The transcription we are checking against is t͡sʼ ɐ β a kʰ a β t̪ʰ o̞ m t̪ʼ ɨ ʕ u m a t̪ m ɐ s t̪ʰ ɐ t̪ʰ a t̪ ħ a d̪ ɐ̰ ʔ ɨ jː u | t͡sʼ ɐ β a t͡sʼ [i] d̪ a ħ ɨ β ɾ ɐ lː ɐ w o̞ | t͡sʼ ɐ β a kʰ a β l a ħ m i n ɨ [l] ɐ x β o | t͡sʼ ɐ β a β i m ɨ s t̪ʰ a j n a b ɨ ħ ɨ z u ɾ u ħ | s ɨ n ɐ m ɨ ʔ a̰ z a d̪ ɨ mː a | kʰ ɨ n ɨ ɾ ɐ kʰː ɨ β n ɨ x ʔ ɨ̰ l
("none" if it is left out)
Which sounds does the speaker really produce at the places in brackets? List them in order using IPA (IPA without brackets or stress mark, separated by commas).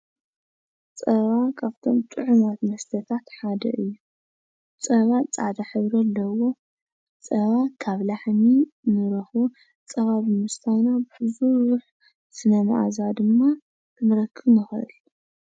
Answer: a, ɾ